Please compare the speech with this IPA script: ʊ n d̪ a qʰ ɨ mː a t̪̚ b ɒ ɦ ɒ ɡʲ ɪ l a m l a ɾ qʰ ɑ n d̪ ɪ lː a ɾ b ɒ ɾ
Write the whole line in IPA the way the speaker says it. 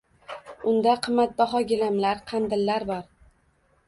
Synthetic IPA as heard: ʊ n d̪ a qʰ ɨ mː a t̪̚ b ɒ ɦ ɒ ɡʲ ɪ l a m l a ɾ qʰ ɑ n d̪ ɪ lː a ɾ b ɒ ɾ